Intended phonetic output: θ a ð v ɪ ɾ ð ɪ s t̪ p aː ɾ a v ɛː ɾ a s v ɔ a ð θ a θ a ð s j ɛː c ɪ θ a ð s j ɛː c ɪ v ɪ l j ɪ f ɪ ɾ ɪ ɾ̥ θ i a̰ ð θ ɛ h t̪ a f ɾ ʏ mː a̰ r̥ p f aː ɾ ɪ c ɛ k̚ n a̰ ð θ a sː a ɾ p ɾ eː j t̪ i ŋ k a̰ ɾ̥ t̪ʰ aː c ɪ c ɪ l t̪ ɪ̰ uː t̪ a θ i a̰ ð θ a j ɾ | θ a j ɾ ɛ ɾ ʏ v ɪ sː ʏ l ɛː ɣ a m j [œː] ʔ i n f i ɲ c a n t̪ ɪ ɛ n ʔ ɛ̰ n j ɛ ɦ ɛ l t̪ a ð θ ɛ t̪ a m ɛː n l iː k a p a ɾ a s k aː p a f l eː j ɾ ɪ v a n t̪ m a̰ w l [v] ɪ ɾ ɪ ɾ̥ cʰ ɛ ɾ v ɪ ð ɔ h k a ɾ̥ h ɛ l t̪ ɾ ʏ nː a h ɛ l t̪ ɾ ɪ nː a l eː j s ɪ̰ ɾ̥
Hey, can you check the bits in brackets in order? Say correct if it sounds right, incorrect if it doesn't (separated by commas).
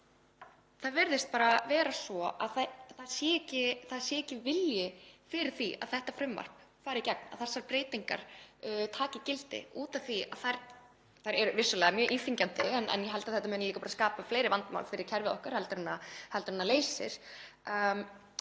correct, incorrect